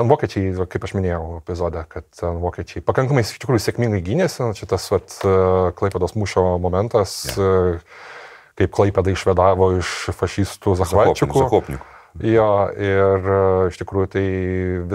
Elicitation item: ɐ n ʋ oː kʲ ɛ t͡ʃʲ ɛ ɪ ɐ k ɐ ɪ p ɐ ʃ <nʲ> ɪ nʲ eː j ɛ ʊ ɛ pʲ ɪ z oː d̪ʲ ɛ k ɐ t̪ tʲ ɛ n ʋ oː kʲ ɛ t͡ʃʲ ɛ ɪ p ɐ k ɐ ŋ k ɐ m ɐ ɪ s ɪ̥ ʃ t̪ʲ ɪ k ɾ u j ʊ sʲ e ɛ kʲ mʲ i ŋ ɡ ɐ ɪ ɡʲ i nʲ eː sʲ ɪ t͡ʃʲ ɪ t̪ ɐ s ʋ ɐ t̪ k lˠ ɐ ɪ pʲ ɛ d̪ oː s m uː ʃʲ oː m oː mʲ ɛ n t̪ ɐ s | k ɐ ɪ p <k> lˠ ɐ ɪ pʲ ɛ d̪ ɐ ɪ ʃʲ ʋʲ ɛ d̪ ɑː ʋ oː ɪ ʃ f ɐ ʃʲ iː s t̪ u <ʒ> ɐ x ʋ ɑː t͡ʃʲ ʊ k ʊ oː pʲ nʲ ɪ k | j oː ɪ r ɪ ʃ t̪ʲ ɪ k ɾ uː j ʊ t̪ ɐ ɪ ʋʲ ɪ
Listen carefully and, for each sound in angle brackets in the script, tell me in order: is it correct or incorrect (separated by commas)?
incorrect, correct, incorrect